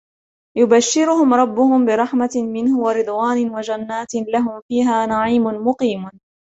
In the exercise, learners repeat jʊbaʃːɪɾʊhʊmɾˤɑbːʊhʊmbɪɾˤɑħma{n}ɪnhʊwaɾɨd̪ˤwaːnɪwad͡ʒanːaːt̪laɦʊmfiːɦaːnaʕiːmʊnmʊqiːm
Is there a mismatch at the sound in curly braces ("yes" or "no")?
yes